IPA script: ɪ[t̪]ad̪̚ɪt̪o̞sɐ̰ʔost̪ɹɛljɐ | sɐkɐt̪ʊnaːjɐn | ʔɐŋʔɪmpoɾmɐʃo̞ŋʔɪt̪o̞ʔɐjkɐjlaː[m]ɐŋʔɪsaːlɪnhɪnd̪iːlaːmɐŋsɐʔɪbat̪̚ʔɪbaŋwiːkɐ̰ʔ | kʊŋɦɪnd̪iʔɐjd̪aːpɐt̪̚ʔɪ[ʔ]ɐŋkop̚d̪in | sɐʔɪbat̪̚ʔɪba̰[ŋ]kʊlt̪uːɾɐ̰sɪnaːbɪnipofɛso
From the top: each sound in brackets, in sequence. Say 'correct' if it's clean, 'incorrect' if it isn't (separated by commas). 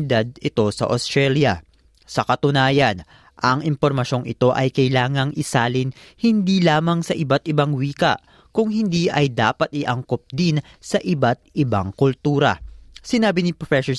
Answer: incorrect, incorrect, correct, correct